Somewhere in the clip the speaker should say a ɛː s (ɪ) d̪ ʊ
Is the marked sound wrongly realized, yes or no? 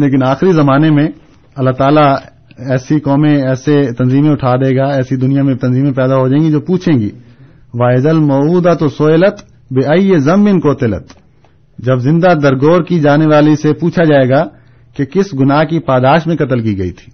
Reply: yes